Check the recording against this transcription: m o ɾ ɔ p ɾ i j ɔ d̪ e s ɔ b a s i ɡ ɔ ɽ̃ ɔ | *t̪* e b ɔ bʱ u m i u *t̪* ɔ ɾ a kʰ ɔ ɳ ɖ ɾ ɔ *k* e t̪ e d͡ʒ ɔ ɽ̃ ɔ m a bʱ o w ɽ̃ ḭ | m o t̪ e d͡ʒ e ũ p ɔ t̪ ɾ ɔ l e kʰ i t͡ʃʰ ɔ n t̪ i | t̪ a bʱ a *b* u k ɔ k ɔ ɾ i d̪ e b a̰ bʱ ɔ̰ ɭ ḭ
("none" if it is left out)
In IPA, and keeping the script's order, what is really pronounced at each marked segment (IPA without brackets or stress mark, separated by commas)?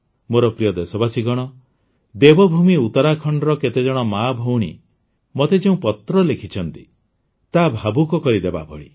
d̪, t̪, k, b